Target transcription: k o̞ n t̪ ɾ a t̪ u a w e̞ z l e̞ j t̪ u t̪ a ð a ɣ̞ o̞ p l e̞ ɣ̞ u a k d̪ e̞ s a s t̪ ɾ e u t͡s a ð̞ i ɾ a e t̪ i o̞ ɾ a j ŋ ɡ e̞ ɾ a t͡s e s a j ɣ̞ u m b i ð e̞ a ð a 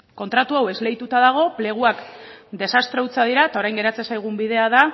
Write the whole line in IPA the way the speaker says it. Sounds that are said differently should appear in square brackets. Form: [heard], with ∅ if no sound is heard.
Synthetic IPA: k o̞ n t̪ ɾ a t̪ u a w e̞ z l e̞ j t̪ u t̪ a ð a ɣ̞ o̞ p l e̞ ɣ̞ u a k d̪ e̞ s a s t̪ ɾ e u t͡s a ð̞ i ɾ a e t̪ [a] o̞ ɾ a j ŋ ɡ e̞ ɾ a t͡s e s a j ɣ̞ u m b i ð e̞ a ð a